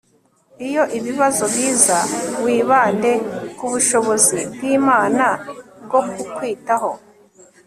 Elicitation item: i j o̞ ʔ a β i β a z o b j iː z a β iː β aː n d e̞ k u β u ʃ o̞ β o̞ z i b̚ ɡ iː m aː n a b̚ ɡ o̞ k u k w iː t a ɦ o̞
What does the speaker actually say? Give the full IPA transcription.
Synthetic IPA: i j o̞ ʔ i β i β a z o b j iː z a w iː β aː n d e̞ k u β u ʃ o̞ β o̞ z i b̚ ɡ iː m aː n a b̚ ɡ o̞ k u k w iː t a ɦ o̞